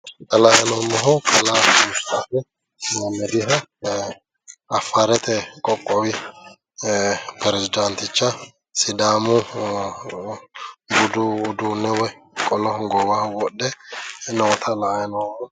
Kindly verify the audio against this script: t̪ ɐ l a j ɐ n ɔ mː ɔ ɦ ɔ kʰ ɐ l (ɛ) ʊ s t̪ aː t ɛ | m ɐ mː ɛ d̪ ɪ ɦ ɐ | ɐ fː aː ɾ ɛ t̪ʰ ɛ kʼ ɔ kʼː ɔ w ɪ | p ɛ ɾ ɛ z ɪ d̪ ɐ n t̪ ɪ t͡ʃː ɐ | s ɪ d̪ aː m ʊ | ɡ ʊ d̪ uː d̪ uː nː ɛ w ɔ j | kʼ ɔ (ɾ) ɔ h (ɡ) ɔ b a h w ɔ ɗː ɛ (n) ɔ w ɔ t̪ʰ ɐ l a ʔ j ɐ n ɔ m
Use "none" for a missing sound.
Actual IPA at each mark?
a, l, ɡ, n

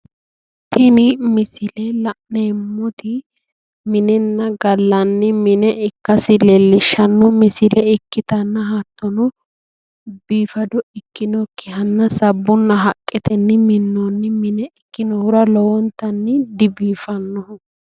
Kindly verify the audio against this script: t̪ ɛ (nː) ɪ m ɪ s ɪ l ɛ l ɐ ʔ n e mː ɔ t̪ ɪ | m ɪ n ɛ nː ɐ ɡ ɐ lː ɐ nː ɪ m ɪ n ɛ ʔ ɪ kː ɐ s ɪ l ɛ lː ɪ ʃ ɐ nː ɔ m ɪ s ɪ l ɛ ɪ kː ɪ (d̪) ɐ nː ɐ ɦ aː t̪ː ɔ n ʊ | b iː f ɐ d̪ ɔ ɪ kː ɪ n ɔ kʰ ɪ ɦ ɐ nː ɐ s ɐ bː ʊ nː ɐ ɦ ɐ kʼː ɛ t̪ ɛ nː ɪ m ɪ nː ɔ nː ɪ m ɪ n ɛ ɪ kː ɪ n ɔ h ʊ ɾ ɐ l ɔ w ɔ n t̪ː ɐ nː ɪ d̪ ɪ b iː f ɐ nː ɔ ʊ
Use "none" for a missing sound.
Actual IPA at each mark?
n, t̪

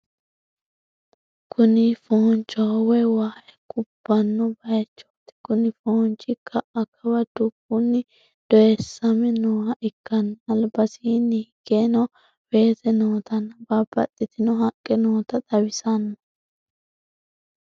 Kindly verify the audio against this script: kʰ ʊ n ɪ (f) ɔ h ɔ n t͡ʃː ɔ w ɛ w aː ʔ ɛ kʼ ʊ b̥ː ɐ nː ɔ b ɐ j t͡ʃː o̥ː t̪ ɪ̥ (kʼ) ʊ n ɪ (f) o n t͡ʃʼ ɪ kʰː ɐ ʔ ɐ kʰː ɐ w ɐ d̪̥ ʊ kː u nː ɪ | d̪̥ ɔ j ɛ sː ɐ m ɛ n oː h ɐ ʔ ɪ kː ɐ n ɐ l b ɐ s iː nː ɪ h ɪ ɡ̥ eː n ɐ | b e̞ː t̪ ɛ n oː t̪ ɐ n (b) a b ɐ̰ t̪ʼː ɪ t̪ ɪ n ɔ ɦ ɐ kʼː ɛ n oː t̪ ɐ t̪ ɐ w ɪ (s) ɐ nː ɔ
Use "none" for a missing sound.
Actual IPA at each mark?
f, k, f, b, s

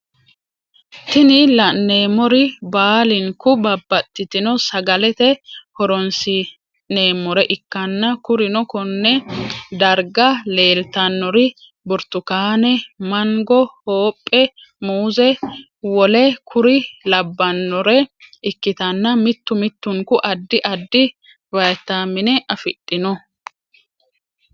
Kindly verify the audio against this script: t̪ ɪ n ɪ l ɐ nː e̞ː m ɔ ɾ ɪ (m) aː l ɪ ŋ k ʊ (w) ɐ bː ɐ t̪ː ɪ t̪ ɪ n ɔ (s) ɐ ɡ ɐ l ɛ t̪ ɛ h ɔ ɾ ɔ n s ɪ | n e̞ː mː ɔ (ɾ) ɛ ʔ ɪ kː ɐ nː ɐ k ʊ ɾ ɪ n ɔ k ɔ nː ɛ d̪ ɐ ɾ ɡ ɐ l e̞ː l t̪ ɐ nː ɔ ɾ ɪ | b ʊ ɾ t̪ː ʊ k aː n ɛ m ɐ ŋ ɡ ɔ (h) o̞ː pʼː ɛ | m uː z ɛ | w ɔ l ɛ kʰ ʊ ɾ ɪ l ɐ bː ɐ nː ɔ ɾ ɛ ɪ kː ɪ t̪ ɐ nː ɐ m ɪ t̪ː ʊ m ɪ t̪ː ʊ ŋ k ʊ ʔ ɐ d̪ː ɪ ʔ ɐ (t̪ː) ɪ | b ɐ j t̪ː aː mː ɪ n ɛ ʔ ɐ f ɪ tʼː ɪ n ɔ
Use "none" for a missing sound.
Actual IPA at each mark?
b, b, s, ɾ, h, d̪ː

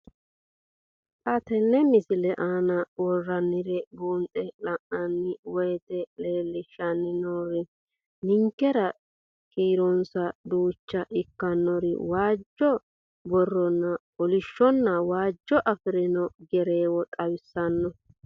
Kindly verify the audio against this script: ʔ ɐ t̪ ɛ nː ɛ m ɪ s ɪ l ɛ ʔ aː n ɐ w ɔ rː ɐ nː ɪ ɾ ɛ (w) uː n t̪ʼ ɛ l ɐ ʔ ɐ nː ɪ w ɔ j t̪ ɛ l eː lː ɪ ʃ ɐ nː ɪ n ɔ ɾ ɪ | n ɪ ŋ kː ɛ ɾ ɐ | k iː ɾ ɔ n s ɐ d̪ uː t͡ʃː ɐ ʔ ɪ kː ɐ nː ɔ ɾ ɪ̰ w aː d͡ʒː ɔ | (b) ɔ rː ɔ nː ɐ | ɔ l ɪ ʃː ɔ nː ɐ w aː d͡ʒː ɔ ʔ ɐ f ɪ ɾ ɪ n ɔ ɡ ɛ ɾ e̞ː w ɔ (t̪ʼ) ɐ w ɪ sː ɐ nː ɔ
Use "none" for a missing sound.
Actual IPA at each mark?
b, b, t̪ʼ

